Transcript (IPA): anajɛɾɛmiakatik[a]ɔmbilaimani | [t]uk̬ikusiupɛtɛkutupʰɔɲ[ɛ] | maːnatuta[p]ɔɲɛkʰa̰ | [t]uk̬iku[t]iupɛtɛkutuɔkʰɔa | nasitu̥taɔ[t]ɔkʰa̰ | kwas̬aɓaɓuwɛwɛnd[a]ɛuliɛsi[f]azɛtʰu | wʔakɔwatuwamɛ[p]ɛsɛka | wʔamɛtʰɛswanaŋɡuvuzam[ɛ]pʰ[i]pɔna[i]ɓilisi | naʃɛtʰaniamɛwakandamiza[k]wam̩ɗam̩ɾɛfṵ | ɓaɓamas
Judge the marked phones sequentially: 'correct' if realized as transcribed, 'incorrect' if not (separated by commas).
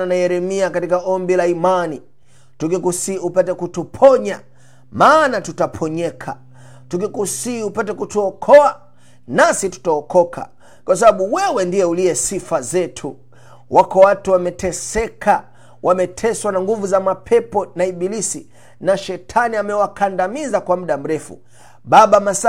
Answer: correct, correct, incorrect, incorrect, correct, incorrect, incorrect, incorrect, correct, incorrect, incorrect, incorrect, correct, correct